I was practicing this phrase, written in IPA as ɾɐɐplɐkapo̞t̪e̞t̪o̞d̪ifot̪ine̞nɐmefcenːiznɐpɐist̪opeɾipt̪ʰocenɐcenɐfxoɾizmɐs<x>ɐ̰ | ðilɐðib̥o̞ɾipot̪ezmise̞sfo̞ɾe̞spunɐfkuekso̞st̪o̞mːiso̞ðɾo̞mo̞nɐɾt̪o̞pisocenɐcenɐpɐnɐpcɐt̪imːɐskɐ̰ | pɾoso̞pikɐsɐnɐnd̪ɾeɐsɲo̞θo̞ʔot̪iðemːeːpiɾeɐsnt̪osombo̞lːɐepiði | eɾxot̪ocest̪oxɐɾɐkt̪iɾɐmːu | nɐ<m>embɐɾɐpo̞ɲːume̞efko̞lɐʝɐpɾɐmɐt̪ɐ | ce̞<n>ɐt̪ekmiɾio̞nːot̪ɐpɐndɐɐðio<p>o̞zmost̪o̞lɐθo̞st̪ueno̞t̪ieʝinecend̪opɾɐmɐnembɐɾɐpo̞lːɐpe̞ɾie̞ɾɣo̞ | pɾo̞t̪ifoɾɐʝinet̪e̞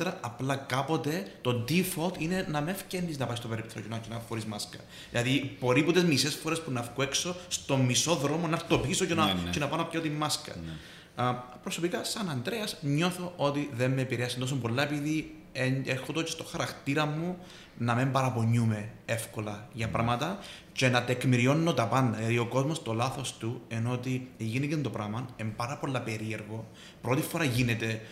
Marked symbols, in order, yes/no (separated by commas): no, yes, yes, no